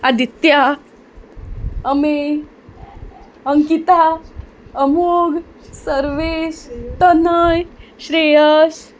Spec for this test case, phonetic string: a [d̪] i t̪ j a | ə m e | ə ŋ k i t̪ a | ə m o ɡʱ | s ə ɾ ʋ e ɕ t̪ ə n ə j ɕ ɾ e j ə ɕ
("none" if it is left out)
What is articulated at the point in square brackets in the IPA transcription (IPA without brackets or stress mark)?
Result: d̪